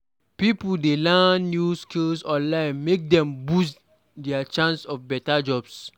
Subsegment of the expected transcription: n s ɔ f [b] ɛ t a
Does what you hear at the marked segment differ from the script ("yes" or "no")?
no